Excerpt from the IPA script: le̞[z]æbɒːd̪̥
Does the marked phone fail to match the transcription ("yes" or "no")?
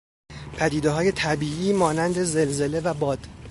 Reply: yes